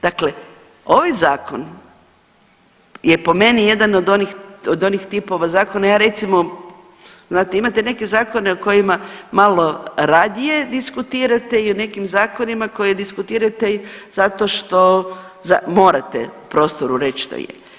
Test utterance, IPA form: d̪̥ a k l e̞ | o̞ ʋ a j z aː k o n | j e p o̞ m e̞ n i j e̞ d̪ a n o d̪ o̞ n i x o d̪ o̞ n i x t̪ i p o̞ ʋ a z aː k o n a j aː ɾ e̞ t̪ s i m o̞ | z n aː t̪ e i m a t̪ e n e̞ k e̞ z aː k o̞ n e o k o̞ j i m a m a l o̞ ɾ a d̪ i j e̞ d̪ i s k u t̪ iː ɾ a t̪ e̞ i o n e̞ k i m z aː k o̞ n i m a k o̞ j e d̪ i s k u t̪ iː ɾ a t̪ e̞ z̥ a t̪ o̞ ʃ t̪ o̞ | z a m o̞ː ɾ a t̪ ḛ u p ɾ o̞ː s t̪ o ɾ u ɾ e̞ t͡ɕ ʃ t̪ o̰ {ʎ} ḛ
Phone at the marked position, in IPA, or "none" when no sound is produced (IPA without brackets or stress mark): j